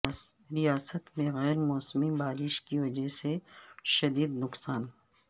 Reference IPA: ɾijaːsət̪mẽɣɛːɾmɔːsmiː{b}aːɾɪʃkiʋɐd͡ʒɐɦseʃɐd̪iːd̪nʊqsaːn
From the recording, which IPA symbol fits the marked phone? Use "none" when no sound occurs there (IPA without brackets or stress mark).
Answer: b